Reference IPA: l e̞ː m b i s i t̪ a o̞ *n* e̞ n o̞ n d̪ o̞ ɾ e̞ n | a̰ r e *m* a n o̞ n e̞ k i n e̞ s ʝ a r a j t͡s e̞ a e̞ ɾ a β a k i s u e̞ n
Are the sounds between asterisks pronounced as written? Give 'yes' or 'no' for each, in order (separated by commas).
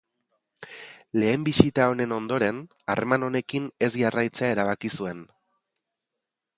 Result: yes, yes